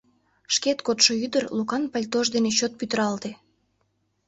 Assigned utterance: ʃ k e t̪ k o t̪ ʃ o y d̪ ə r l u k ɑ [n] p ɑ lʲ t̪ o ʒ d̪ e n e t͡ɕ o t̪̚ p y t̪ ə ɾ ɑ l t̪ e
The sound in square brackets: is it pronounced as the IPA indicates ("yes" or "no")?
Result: yes